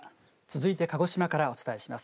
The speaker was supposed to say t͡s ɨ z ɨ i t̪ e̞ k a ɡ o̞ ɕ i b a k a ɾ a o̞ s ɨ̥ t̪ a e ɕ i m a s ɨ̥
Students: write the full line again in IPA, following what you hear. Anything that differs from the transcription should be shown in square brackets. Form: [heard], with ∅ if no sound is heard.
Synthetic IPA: t͡s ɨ z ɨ i t̪ e̞ k a ɡ o̞ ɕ i [m] a k a ɾ a o̞ [t͡s] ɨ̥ t̪ a e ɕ i m a s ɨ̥